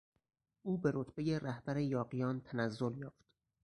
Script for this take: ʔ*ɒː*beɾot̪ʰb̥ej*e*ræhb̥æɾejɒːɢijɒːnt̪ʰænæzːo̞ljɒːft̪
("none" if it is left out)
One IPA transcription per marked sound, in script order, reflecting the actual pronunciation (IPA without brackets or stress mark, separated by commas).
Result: uː, e